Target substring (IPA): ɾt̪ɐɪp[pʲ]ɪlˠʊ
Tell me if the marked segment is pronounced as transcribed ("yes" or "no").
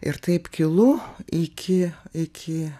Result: no